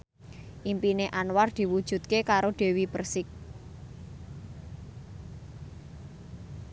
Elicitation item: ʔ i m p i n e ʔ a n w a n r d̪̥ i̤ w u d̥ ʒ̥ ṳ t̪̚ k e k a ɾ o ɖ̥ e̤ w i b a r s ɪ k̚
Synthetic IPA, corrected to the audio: ʔ i m p i n e ʔ a n w a r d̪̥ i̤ w u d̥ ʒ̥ ṳ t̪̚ k e k a ɾ o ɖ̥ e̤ w i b ə r s ɪ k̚